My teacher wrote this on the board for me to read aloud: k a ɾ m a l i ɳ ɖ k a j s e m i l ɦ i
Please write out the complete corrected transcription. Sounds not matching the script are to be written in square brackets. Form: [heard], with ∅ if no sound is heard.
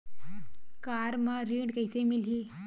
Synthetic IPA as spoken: k a ɾ m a [ɾ] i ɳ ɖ k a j s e m i l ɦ i